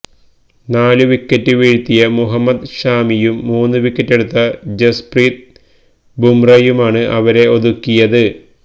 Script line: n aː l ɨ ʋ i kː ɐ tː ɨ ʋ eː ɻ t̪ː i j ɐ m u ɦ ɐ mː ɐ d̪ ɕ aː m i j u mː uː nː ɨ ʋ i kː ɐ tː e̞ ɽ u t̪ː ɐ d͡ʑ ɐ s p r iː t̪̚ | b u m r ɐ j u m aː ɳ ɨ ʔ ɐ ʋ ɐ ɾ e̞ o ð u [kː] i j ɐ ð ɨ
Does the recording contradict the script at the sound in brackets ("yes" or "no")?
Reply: no